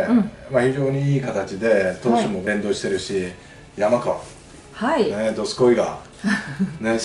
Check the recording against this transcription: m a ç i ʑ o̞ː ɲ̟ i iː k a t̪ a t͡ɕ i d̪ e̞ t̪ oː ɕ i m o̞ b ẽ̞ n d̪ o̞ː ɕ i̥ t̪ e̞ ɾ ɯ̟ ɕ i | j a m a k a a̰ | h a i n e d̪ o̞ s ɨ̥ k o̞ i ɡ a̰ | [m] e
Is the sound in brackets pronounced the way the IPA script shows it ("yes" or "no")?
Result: no